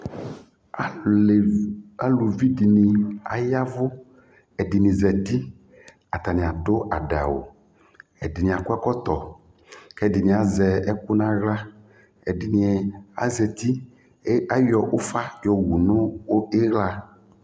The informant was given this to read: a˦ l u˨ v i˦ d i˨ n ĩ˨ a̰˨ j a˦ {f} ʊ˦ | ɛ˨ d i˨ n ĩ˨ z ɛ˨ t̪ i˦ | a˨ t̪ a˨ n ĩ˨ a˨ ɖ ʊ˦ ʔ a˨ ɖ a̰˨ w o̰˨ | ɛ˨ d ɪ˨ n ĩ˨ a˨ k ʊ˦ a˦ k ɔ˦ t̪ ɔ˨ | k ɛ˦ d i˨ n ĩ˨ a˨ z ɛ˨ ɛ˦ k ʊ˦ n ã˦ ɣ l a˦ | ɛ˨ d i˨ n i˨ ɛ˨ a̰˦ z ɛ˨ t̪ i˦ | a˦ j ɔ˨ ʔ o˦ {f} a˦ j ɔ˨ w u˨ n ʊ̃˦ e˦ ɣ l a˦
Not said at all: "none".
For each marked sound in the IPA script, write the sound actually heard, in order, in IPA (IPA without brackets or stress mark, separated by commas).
v, f